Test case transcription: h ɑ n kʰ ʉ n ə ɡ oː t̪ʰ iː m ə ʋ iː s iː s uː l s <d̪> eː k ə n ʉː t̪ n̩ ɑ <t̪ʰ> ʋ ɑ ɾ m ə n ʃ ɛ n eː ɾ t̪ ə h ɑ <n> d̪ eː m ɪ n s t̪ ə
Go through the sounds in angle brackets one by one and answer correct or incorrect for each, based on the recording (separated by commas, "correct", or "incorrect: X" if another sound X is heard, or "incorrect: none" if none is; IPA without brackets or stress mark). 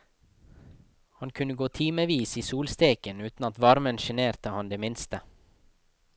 incorrect: t̪, incorrect: t̪, correct